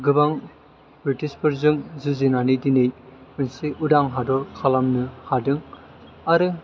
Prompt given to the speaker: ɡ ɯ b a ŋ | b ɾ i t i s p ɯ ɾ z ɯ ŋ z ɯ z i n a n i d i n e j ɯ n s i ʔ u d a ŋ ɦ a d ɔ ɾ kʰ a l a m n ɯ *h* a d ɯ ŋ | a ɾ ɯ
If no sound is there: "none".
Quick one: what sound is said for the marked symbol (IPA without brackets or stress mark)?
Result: h